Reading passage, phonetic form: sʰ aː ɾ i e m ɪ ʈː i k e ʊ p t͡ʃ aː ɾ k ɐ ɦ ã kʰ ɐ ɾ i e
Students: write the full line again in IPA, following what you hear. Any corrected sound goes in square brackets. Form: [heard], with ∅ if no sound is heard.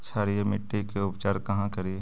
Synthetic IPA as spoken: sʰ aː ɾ i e m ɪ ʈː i k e ʊ p t͡ʃ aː ɾ k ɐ ɦ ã [k] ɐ ɾ i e

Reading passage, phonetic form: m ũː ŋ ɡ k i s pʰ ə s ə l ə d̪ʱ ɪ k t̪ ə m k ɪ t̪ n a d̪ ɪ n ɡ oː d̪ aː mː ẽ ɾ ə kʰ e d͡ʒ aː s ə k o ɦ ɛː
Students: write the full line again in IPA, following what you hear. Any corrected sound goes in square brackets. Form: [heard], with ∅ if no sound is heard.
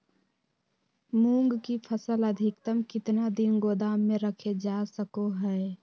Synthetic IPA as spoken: m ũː ŋ ɡ k i [∅] pʰ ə s ə l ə d̪ʱ ɪ k t̪ ə m k ɪ t̪ n a d̪ ɪ n ɡ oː d̪ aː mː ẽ ɾ ə kʰ e d͡ʒ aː s ə k o ɦ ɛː

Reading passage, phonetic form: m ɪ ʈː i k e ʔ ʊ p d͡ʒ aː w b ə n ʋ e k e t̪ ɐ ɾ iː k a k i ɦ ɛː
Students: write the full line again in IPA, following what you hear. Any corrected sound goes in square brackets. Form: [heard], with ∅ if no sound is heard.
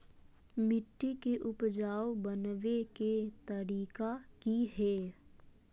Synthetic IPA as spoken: m ɪ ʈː i k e ʔ ʊ p d͡ʒ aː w b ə n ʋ e k e t̪ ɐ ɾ iː k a k i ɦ ɛː

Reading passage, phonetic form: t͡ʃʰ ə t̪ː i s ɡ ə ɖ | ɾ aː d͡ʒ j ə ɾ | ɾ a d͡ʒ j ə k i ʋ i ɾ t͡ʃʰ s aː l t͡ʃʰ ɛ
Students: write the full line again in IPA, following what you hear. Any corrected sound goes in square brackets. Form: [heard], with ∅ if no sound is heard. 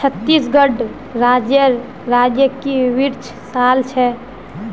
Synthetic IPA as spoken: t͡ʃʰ ə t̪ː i s ɡ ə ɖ | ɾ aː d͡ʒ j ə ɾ | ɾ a d͡ʒ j ə k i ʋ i ɾ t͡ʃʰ s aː l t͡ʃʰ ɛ

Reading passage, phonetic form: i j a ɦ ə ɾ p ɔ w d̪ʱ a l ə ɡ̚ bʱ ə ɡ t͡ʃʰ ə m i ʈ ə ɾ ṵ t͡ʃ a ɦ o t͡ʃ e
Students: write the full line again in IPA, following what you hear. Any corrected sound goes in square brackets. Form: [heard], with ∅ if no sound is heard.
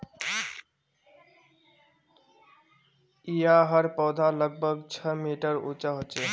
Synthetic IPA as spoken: i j a ɦ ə ɾ p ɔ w d̪ʱ a l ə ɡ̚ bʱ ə ɡ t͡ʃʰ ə m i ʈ ə ɾ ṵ t͡ʃ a ɦ o t͡ʃ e

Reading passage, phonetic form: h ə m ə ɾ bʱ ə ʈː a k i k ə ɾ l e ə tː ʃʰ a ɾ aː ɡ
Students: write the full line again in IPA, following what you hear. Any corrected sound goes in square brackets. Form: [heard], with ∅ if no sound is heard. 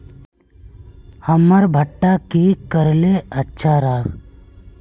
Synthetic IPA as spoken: h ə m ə ɾ bʱ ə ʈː a k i k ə ɾ l e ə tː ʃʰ a ɾ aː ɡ

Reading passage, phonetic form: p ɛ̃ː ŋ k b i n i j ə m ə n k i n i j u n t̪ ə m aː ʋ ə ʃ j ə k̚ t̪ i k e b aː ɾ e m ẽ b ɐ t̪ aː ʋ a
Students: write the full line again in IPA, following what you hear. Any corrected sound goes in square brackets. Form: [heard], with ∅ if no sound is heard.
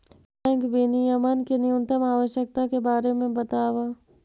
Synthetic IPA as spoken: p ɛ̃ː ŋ k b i n i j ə m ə n k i n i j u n t̪ ə m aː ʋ ə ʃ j ə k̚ t̪ [a] k e b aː ɾ e m ẽ b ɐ t̪ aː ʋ a

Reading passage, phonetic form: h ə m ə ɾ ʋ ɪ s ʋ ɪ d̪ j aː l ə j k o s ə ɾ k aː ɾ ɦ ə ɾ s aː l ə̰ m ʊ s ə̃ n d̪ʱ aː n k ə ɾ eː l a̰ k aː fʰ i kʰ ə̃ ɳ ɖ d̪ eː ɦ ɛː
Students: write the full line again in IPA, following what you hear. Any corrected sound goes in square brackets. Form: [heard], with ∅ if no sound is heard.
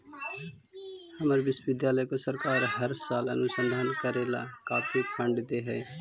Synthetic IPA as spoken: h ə m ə ɾ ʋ ɪ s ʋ ɪ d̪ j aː l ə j k o s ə ɾ k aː ɾ ɦ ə ɾ s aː l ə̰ [n] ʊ s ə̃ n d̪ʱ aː n k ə ɾ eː l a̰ k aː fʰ i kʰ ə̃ ɳ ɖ d̪ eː ɦ ɛː

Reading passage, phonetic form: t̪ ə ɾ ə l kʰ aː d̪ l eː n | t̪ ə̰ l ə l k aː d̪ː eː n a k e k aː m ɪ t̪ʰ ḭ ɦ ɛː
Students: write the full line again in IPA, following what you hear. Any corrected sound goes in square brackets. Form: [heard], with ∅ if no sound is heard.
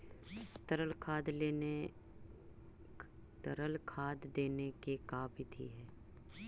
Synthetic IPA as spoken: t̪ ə ɾ ə l kʰ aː d̪ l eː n | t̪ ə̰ [ɾ] ə l [kʰ] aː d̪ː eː n [e] k e k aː [b] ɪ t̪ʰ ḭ ɦ ɛː

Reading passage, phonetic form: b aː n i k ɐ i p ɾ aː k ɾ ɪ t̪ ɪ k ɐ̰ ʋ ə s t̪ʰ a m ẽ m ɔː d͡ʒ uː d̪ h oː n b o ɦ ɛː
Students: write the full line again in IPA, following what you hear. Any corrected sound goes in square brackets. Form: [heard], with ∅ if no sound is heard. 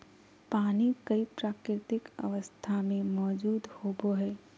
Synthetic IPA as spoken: [p] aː n i k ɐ i p ɾ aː k ɾ ɪ t̪ ɪ k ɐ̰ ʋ ə s t̪ʰ a m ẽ m ɔː d͡ʒ uː d̪ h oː [∅] b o ɦ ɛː

